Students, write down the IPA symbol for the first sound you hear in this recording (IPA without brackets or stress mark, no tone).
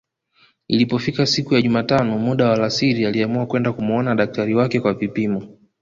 i